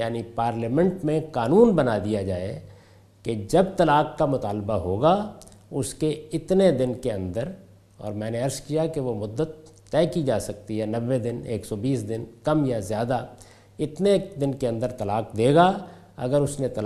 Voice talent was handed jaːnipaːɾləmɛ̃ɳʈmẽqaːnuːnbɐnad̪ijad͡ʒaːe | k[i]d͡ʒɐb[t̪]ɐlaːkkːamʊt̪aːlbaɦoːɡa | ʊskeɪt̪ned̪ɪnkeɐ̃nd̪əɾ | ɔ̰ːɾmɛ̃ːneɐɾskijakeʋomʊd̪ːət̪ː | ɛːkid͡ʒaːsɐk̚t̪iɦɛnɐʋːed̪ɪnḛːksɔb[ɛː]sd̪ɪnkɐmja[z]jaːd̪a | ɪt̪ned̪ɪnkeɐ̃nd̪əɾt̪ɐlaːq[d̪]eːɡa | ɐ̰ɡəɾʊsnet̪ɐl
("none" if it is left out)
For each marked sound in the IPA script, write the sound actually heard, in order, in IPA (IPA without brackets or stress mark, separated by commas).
e, t̪, iː, z, d̪